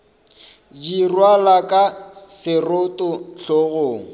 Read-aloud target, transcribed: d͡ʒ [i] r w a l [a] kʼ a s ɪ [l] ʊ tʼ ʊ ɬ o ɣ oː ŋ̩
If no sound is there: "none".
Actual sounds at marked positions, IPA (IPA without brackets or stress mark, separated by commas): i, a, r